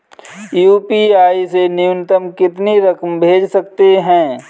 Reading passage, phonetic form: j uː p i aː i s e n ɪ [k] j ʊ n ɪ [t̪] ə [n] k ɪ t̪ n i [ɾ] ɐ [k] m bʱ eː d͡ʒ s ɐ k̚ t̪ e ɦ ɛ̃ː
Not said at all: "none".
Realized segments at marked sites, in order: none, t̪, m, ɾ, k

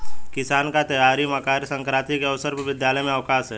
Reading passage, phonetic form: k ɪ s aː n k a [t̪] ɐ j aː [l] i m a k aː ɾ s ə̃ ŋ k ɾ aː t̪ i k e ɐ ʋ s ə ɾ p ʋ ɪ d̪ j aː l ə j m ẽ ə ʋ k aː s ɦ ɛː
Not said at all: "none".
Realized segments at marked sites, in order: t̪, ɾ

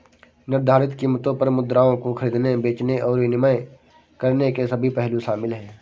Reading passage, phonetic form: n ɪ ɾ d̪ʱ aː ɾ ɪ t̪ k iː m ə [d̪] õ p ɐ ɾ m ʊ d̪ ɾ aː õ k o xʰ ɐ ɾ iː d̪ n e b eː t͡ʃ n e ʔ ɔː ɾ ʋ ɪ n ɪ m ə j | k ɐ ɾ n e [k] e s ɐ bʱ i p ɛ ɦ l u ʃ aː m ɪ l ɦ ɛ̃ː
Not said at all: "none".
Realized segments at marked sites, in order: t̪, k

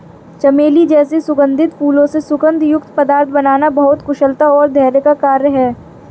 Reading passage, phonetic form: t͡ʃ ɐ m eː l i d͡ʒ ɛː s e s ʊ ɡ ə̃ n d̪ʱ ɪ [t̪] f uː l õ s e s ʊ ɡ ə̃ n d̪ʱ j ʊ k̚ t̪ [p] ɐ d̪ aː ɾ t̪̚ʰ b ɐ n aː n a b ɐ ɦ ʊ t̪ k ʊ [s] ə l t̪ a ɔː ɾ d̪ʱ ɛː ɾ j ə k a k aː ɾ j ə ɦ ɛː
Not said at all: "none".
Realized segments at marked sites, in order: t̪, p, ʃ

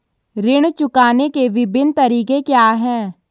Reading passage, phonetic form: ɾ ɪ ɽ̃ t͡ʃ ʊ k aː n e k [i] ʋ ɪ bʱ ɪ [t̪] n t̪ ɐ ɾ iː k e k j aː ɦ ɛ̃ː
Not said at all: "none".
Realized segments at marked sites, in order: e, none

